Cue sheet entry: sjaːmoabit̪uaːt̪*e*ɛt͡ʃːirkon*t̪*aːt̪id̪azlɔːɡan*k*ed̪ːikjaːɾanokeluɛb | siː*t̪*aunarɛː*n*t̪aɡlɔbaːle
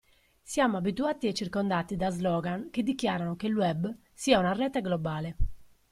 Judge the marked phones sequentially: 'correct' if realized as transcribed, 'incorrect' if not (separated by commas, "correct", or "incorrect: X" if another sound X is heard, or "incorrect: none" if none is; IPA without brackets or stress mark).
incorrect: i, incorrect: d̪, correct, incorrect: none, incorrect: none